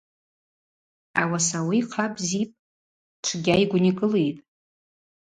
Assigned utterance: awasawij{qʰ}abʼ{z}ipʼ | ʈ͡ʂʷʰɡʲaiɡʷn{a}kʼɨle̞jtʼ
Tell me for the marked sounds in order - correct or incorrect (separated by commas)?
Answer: correct, correct, incorrect